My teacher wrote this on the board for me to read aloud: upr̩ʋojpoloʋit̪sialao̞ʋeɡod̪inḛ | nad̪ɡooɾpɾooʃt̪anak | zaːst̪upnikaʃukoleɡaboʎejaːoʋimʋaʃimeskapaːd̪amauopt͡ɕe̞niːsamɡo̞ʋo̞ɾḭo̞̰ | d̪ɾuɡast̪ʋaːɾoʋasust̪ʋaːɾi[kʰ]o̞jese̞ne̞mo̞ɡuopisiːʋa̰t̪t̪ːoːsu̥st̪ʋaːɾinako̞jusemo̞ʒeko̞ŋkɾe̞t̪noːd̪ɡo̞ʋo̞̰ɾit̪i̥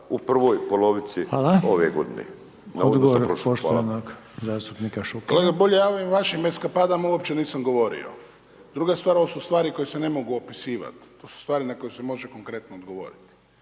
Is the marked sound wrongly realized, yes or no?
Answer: yes